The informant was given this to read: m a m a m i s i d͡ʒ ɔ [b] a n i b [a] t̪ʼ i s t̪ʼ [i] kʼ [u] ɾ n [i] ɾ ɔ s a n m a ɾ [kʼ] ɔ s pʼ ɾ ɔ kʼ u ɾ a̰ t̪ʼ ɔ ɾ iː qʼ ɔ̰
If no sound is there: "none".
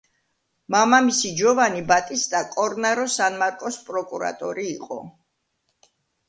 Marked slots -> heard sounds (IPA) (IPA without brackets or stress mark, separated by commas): v, a, a, ɔ, a, kʼ